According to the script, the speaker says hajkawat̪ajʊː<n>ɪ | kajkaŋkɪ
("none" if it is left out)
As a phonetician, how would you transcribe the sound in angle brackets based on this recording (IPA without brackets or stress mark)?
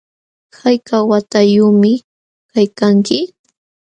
m